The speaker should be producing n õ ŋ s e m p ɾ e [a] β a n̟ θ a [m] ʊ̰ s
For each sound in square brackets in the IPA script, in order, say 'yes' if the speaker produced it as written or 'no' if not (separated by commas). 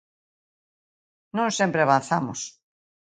yes, yes